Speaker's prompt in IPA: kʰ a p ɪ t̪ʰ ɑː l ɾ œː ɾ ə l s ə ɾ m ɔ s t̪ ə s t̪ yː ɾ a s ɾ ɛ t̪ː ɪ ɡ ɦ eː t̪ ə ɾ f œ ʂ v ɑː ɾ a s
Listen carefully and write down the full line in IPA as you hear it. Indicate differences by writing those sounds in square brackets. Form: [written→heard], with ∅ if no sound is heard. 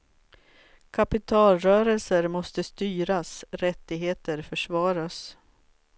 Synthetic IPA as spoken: kʰ a p ɪ t̪ʰ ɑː l ɾ œː ɾ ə l s ə ɾ m ɔ s t̪ ə s t̪ yː ɾ a s ɾ ɛ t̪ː ɪ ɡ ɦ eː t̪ ə ɾ f œ ʂ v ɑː ɾ a s